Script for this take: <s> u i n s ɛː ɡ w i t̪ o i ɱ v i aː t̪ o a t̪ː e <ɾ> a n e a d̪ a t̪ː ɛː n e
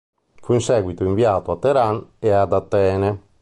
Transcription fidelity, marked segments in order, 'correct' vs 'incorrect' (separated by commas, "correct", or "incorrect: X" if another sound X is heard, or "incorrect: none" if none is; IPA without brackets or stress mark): incorrect: f, correct